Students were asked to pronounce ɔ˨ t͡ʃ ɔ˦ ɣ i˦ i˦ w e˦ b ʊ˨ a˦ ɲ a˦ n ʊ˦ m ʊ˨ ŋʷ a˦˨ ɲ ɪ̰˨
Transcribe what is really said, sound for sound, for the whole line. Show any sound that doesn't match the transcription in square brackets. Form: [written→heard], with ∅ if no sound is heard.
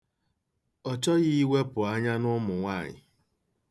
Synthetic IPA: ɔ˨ t͡ʃ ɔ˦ ɣ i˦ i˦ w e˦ [b→p] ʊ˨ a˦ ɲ a˦ n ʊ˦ m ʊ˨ ŋʷ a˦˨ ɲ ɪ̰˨